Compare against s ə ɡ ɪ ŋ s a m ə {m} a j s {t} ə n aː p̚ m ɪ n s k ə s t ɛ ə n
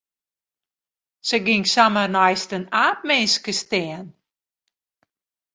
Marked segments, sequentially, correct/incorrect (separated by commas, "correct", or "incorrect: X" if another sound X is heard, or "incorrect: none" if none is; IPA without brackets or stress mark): incorrect: n, correct